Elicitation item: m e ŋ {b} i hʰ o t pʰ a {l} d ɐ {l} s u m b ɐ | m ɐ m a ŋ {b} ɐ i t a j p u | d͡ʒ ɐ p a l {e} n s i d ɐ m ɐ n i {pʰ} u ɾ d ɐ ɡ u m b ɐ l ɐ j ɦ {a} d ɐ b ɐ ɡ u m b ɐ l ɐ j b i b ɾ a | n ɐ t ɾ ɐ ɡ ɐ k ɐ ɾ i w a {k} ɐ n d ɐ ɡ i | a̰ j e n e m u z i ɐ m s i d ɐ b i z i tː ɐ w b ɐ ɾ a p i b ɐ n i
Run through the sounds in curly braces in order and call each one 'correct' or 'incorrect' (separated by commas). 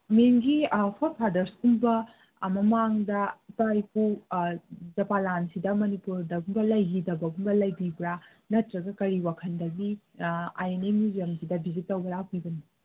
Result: incorrect, incorrect, incorrect, incorrect, incorrect, incorrect, incorrect, incorrect